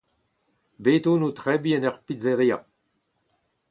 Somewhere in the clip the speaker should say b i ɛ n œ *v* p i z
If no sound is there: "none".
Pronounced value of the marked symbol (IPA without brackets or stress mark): ʁ